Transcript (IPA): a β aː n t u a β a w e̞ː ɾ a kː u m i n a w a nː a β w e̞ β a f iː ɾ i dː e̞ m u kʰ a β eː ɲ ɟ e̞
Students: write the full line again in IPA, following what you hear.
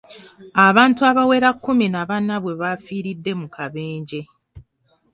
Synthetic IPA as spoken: a β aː n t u a β a w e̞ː ɾ a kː u m i n a β a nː a β w e̞ β a f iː ɾ i dː e̞ m u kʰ a β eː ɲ ɟ e̞